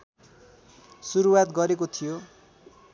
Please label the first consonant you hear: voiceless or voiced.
voiceless